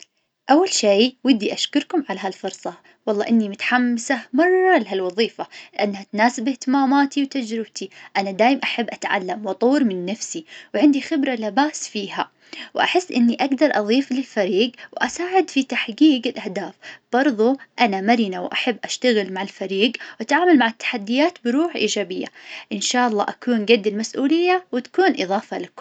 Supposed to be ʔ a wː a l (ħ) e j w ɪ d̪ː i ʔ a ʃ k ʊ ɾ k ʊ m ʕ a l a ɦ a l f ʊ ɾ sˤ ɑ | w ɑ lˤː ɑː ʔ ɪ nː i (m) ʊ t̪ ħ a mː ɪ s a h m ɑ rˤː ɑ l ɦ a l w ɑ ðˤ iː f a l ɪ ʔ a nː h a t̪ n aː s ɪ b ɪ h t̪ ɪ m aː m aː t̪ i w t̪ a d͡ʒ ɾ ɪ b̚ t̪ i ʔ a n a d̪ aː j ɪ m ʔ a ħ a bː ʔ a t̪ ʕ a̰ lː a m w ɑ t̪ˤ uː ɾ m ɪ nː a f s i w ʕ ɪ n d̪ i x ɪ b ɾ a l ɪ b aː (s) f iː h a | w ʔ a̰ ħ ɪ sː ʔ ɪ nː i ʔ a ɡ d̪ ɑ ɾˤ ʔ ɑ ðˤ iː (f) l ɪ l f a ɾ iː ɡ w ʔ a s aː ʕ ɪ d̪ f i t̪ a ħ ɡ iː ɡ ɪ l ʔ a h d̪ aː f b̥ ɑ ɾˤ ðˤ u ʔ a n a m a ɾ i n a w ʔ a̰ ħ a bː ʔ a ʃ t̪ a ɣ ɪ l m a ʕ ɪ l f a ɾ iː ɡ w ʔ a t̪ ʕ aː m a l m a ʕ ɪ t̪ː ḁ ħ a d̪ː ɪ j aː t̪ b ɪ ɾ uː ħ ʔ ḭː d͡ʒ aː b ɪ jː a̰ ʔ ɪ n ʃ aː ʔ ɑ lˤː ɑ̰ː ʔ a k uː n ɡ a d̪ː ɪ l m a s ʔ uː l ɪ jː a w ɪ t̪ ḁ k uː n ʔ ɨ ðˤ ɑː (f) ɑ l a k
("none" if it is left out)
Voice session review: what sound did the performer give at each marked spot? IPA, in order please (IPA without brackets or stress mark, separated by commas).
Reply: ʃ, m, s, f, f